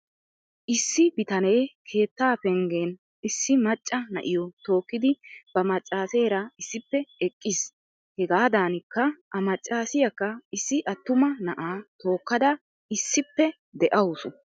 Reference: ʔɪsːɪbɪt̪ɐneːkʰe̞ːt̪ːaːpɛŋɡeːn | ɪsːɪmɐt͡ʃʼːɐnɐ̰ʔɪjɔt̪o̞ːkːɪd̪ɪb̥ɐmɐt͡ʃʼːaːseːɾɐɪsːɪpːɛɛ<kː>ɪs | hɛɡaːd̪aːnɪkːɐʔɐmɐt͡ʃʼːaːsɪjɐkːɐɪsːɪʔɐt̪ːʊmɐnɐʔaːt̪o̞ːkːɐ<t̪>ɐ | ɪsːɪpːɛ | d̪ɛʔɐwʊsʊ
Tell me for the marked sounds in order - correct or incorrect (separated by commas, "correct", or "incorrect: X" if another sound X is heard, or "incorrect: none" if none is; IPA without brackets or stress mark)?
incorrect: kʼː, incorrect: d̪